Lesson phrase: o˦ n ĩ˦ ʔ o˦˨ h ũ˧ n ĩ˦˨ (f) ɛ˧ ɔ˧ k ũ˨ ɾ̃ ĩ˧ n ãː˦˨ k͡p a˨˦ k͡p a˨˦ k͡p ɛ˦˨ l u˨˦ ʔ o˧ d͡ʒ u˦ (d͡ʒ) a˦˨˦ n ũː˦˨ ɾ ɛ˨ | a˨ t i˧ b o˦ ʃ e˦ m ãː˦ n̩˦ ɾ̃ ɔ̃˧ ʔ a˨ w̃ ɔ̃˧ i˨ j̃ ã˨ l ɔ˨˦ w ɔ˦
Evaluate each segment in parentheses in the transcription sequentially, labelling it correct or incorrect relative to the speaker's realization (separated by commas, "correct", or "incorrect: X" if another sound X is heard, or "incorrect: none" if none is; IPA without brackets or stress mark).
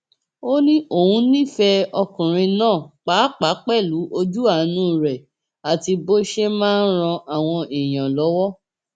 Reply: correct, incorrect: none